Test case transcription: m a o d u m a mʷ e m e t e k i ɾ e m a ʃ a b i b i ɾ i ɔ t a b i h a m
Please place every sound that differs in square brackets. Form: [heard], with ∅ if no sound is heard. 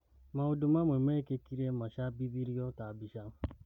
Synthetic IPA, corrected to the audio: m a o d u m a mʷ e m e [k] e k i ɾ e m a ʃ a b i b i ɾ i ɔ t a b i [ʃ] a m